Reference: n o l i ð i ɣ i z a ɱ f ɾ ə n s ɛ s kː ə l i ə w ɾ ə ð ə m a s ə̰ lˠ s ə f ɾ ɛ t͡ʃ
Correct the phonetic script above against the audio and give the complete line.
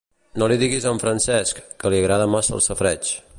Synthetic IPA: n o l i ð i ɣ i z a ɱ f ɾ ə n s ɛ s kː ə l i ə ɣ ɾ a ð ə m a s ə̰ lˠ s ə f ɾ ɛ t͡ʃ